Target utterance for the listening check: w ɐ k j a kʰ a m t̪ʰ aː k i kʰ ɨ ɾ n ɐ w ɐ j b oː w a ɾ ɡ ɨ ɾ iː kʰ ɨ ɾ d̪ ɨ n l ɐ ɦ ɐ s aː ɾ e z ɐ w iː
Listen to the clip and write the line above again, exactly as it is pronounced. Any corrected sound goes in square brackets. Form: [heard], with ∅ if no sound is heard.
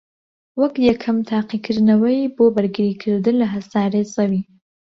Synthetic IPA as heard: w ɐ k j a kʰ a m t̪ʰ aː [q] i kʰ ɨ ɾ n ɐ w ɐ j b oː [b] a ɾ ɡ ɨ ɾ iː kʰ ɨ ɾ d̪ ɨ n l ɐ ɦ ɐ s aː ɾ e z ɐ w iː